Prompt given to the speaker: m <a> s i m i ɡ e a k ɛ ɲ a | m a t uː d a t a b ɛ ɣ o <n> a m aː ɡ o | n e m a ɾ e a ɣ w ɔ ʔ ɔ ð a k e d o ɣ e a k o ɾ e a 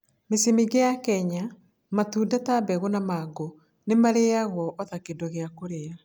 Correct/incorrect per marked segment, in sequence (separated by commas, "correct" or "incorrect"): incorrect, correct